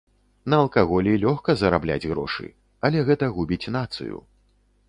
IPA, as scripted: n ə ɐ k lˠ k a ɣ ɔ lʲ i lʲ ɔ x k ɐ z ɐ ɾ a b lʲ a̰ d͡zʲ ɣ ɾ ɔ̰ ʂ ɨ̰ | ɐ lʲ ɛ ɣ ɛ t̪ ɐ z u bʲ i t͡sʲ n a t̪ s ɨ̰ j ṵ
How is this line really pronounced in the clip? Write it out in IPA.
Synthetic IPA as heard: n ɐ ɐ lˠ k a ɣ ɔ lʲ i lʲ ɔ x k ɐ z ɐ ɾ a b lʲ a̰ d͡zʲ ɣ ɾ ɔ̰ ʂ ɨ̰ | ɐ lʲ ɛ ɣ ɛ t̪ ɐ ɣ u bʲ i t͡sʲ n a t̪ s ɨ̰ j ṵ